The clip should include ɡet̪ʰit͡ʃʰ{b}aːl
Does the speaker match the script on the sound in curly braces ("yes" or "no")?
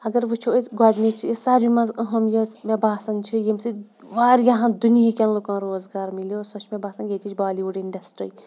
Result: yes